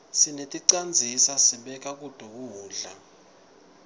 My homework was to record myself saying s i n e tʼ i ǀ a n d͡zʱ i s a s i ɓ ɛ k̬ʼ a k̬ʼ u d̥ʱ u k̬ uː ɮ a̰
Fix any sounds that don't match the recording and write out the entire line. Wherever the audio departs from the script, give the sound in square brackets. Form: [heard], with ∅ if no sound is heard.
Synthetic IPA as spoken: s i n e tʼ i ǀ a n d͡zʱ i s a s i ɓ ɛ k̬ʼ a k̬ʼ u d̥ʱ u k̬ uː ɮ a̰